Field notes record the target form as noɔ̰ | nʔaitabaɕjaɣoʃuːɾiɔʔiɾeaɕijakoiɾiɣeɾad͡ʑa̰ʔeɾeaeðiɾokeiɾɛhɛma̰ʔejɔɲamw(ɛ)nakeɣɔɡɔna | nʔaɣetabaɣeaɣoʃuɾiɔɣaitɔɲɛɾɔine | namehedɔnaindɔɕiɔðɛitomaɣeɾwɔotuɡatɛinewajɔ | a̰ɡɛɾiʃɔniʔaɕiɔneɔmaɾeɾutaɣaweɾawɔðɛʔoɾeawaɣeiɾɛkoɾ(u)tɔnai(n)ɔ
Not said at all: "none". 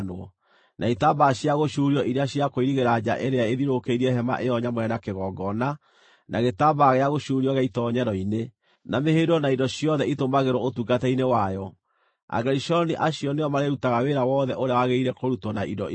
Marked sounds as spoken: ɛ, u, d

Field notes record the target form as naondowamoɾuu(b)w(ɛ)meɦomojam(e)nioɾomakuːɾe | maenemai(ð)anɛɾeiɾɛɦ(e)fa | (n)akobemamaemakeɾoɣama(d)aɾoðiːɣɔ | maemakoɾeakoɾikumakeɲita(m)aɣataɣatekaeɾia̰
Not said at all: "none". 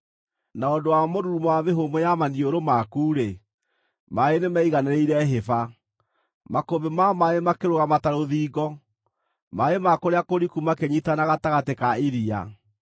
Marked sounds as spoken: m, a, a, ɣ, e, m, t, n

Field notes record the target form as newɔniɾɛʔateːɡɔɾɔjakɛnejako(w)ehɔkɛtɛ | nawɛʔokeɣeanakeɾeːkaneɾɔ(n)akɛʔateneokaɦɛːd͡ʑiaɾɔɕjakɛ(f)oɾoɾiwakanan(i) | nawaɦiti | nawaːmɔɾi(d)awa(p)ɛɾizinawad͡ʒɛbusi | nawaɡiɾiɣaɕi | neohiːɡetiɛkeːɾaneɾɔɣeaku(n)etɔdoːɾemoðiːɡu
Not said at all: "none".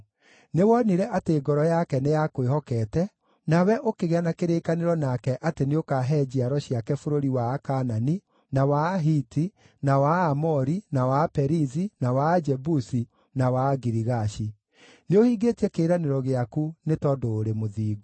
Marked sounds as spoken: w, n, f, i, n, p, n

